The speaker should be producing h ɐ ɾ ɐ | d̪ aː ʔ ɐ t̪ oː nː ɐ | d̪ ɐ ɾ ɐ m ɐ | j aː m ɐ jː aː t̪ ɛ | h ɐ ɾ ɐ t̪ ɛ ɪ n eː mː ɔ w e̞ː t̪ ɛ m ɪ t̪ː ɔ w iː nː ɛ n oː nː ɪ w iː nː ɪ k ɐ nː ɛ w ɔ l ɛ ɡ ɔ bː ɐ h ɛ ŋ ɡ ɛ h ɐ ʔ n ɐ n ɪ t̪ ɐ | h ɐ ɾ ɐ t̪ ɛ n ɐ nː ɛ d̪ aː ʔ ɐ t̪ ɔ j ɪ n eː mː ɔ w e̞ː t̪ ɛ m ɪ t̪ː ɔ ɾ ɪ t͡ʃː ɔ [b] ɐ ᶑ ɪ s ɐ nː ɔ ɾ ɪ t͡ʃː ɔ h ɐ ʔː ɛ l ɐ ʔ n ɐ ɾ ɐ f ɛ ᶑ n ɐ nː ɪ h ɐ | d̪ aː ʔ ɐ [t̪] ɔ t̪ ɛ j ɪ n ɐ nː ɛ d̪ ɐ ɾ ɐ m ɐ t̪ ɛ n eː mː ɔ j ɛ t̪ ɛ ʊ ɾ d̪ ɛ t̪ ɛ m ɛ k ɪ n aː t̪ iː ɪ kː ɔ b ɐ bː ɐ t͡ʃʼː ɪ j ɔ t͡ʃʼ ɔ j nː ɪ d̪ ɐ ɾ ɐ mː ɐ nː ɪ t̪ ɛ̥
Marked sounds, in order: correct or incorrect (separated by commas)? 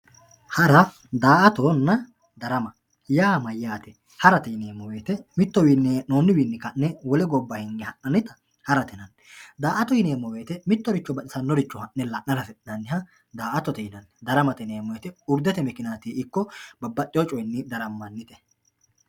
correct, correct